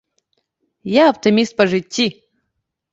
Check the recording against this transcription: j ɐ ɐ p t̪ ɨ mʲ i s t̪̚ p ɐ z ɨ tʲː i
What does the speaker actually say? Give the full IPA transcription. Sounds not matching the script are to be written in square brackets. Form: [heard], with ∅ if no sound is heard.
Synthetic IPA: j [a] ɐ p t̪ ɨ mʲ i s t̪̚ p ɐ [ʐ] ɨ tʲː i